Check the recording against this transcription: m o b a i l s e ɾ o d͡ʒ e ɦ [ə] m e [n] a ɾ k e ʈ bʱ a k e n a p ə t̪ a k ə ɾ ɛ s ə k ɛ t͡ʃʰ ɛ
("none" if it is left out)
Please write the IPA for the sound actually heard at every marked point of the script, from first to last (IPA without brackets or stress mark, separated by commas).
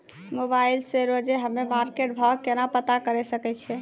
ə, m